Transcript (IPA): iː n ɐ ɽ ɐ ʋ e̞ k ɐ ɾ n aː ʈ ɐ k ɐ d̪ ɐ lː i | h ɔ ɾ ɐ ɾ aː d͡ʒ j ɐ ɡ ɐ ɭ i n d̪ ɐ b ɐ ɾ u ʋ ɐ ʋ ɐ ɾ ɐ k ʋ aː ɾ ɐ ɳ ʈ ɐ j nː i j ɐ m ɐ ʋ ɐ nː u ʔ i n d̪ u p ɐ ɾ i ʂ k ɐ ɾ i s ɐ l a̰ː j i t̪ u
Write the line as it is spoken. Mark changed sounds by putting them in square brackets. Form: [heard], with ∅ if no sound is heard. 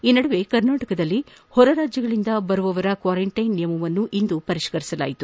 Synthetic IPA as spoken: iː n ɐ ɽ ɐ ʋ e̞ k ɐ ɾ n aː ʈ ɐ k ɐ d̪ ɐ lː i | h ɔ ɾ ɐ ɾ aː d͡ʒ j ɐ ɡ ɐ ɭ i n d̪ ɐ b ɐ ɾ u ʋ ɐ ʋ ɐ ɾ ɐ k ʋ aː ɾ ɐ ɳ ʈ ɐ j nː i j ɐ m ɐ ʋ ɐ nː u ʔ i n d̪ u p ɐ ɾ i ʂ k ɐ ɾ i s ɐ l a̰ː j i t̪ u